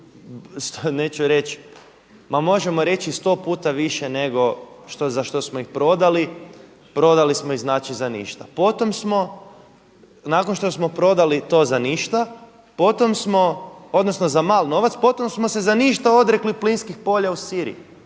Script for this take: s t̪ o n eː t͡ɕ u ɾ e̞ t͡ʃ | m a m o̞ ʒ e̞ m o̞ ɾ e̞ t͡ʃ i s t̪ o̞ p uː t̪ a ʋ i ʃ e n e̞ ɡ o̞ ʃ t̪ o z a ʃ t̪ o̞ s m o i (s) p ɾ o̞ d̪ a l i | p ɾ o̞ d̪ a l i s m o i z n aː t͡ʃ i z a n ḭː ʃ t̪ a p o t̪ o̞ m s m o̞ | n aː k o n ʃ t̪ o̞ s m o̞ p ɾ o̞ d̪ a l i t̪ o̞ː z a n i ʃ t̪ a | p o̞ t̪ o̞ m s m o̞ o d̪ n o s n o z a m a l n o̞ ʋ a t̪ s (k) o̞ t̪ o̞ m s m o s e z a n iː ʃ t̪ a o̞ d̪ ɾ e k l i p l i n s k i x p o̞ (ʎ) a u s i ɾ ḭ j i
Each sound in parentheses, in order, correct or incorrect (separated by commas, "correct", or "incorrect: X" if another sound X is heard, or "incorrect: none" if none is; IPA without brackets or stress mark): incorrect: x, incorrect: p, correct